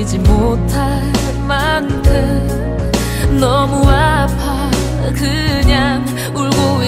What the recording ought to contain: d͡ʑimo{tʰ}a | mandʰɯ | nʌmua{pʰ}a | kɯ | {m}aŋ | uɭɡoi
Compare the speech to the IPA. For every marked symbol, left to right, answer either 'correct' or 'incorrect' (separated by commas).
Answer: correct, correct, incorrect